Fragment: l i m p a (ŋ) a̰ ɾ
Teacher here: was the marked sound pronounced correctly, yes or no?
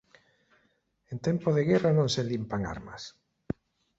yes